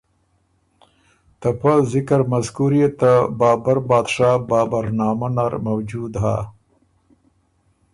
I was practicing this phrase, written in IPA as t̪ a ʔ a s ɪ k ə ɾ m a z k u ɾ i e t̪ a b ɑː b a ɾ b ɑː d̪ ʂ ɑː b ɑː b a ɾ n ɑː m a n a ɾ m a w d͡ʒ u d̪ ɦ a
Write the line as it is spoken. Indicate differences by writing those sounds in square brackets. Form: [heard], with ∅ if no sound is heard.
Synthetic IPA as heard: t̪ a [p] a [z] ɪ k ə ɾ m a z k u ɾ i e t̪ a b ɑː b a ɾ b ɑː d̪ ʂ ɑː b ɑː b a ɾ n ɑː m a n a ɾ m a w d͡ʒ u d̪ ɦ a